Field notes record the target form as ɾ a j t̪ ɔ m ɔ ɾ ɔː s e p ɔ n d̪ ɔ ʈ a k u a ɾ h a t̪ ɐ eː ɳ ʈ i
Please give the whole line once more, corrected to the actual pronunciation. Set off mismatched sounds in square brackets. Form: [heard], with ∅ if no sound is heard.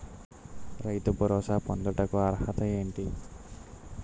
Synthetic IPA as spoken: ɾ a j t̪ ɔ [b] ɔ ɾ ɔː s [a] p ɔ n d̪ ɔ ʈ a k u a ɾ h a t̪ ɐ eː ɳ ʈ i